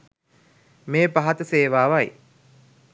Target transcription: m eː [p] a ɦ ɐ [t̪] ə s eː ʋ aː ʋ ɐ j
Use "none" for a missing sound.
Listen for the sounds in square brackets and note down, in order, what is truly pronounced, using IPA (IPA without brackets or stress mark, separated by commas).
p, t̪